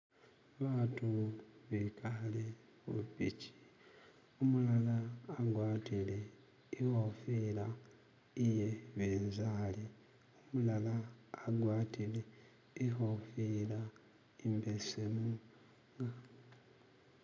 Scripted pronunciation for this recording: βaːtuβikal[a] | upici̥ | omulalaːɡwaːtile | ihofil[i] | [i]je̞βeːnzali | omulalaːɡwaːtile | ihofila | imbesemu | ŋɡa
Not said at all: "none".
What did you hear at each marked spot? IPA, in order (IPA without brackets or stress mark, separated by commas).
e, a, i